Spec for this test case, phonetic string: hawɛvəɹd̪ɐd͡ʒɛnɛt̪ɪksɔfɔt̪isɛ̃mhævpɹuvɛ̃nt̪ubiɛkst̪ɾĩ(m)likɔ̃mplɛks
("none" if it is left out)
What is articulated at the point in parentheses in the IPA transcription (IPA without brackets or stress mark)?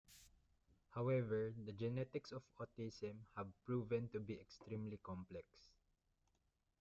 m